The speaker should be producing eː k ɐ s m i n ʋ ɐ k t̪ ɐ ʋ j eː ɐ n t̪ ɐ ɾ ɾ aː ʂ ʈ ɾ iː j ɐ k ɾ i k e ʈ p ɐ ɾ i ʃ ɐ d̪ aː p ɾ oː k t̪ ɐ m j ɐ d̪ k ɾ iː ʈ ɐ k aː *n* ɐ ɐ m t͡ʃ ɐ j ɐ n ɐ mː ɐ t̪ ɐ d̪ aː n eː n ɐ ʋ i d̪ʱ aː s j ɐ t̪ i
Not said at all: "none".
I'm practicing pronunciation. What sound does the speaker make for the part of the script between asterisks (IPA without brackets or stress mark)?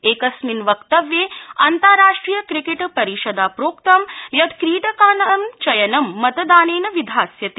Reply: n